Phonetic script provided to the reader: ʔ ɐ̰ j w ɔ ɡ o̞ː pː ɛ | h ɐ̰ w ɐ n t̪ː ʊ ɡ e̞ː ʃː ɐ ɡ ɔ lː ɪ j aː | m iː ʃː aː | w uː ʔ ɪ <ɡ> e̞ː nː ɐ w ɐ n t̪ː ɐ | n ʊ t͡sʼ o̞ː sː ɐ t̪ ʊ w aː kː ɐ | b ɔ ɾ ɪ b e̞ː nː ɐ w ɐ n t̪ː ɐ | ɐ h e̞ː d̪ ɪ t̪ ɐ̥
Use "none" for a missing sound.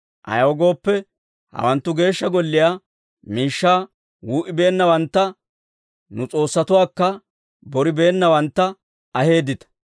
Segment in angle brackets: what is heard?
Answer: b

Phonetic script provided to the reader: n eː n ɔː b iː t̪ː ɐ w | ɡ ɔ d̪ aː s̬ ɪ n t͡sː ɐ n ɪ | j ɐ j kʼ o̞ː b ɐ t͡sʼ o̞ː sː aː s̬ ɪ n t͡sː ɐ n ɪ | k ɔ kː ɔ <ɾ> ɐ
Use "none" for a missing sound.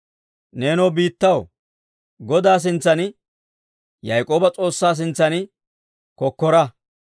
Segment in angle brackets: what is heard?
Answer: ɾ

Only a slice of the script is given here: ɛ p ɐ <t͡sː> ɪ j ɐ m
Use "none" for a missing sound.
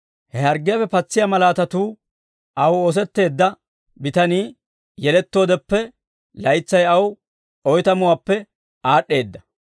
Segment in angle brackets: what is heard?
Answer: t͡sː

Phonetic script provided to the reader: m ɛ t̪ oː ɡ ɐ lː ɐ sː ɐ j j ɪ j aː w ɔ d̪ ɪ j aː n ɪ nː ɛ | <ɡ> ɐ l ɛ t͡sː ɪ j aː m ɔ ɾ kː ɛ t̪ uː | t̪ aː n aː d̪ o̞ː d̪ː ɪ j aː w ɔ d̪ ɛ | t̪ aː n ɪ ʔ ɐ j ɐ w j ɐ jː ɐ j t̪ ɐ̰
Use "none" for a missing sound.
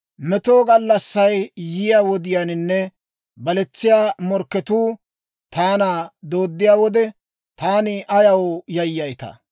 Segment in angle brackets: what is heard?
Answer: b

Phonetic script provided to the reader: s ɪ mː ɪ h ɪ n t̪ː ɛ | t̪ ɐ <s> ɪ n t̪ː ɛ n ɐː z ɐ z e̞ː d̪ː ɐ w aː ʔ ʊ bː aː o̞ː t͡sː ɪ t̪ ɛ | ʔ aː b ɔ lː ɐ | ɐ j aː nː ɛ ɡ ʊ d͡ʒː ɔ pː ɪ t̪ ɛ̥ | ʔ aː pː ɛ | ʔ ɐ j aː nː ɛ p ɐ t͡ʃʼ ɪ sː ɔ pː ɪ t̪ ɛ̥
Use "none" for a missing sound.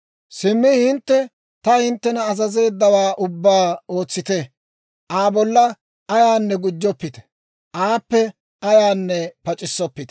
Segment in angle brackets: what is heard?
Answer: h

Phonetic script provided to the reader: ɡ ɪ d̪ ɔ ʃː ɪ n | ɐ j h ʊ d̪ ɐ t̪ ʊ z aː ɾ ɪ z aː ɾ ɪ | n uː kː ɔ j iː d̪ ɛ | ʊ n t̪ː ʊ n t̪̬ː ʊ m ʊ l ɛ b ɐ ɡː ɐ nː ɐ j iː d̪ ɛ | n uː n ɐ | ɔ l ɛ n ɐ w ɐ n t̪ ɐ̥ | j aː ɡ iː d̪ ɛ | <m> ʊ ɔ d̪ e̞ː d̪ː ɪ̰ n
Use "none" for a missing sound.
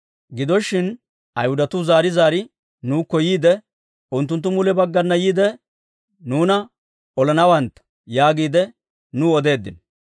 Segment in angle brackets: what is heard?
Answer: n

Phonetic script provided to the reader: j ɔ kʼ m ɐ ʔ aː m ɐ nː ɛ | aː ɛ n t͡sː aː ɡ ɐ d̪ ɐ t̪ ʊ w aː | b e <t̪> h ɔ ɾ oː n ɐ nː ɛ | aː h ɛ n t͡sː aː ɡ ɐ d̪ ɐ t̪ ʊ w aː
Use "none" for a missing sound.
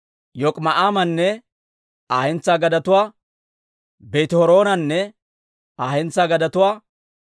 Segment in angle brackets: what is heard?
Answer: t̪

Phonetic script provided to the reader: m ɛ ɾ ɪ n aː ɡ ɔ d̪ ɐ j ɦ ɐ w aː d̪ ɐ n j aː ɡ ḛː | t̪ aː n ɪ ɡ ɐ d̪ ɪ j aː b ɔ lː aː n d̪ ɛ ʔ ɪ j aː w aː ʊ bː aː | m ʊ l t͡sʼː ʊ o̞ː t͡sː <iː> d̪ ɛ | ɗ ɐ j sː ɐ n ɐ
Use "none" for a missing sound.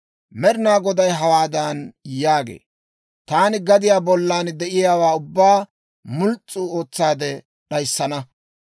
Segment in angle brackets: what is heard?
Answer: aː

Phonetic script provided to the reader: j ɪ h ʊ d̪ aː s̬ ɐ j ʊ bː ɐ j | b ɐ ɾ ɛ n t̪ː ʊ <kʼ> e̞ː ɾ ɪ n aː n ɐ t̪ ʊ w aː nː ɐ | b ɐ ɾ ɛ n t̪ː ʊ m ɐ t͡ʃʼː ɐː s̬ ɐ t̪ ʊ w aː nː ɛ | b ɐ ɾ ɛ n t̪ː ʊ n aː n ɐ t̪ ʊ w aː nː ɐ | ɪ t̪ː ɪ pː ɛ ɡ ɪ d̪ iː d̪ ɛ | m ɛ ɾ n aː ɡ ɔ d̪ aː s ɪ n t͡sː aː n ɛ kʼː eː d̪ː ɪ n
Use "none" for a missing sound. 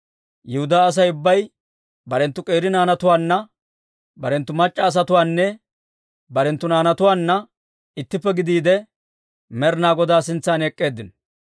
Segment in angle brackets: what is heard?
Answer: kʼ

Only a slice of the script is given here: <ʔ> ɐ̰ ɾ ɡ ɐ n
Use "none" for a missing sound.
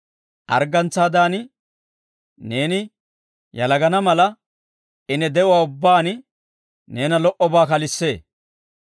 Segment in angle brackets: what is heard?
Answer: ʔ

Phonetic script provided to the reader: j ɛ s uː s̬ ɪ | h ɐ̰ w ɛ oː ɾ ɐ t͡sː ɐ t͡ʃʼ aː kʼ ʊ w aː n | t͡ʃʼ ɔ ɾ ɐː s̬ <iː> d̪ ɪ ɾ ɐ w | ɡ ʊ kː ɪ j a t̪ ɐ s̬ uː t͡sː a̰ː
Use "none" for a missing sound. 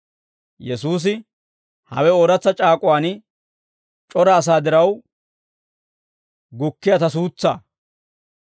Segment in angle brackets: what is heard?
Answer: aː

